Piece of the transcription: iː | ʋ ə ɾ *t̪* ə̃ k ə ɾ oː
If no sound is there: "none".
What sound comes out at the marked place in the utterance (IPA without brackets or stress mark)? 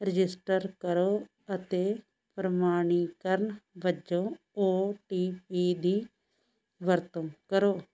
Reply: t̪